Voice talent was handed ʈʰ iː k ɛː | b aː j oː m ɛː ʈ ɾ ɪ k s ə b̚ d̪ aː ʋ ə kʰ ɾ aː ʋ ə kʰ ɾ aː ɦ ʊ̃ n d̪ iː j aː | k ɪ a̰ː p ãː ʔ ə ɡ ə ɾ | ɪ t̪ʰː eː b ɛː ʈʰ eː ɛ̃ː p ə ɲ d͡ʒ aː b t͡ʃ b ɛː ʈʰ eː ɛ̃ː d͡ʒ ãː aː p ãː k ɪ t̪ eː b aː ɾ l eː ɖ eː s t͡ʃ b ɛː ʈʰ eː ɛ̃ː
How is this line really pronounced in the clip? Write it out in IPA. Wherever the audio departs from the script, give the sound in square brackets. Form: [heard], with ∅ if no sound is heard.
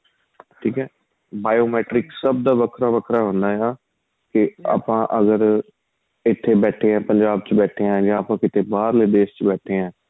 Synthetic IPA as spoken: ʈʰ iː k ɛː | b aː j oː m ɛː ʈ ɾ ɪ k s ə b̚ d̪ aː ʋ ə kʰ ɾ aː ʋ ə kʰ ɾ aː ɦ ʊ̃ n d̪ [aː] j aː | k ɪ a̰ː p ãː ʔ ə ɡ ə ɾ | ɪ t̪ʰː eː b ɛː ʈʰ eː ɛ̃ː p ə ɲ d͡ʒ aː b t͡ʃ b ɛː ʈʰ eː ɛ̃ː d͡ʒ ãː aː p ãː k ɪ t̪ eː b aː ɾ l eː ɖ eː s t͡ʃ b ɛː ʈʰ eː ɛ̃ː